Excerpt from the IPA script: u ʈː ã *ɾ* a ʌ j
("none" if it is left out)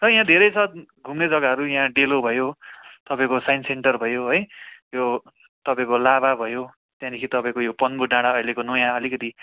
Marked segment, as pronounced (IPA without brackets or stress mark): ɽ